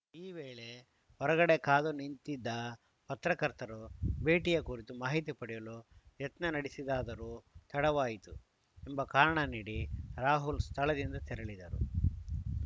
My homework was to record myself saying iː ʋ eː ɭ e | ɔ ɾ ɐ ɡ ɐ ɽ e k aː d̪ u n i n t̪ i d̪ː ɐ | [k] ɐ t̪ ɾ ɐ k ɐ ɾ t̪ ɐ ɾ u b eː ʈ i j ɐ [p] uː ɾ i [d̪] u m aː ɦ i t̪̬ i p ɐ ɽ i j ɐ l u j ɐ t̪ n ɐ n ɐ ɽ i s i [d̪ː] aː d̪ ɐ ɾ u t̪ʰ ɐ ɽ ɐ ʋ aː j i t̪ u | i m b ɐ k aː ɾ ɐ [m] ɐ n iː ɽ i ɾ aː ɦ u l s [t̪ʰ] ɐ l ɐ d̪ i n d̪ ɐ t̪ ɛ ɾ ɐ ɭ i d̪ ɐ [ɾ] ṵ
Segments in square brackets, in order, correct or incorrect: incorrect: p, incorrect: k, incorrect: t̪, incorrect: d̪, incorrect: ɳ, correct, correct

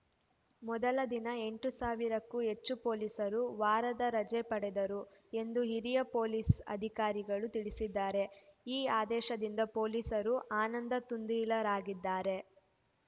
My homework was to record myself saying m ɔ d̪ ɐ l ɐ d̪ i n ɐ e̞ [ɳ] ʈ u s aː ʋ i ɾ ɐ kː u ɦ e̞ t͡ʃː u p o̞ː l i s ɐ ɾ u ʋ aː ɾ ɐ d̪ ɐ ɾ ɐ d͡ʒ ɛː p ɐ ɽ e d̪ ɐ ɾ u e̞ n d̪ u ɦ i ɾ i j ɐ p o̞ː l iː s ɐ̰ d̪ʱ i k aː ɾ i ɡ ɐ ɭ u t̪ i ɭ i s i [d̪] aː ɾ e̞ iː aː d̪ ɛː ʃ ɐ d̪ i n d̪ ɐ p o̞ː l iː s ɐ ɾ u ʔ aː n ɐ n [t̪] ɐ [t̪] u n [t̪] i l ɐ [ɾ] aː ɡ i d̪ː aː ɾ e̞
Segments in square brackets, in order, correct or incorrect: correct, incorrect: d̪ː, incorrect: d̪, correct, incorrect: d̪, correct

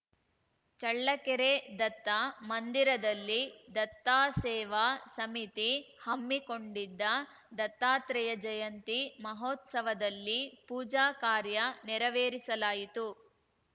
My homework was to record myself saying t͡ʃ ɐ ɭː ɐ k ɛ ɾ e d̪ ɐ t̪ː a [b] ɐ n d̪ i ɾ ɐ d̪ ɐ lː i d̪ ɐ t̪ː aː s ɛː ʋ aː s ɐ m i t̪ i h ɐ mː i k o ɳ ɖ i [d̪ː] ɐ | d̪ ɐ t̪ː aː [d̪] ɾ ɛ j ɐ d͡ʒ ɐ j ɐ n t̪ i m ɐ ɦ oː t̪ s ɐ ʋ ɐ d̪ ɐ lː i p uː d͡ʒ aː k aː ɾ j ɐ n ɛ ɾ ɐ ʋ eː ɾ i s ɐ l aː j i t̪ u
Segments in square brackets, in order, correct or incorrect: incorrect: m, correct, incorrect: t̪

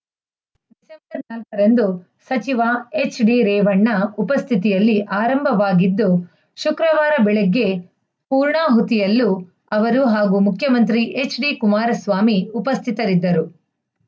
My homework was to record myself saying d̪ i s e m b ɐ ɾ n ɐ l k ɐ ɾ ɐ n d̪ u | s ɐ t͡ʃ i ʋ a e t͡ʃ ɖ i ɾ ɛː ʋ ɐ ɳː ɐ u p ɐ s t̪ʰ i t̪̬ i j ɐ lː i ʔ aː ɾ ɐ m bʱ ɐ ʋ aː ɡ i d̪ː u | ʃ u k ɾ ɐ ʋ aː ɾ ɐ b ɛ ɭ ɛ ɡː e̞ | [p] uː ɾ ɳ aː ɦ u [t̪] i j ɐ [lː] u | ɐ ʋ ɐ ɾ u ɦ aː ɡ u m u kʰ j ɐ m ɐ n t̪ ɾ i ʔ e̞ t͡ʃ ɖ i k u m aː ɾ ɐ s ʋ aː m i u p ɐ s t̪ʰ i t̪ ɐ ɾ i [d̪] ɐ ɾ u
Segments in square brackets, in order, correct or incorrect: correct, correct, correct, incorrect: d̪ː

